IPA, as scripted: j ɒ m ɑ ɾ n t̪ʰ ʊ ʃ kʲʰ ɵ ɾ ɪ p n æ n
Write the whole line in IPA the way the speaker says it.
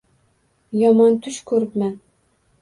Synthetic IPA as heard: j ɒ m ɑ n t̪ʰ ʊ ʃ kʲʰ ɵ ɾ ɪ p m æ n